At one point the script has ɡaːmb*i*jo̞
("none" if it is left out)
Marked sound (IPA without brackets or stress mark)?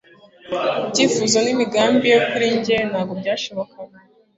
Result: i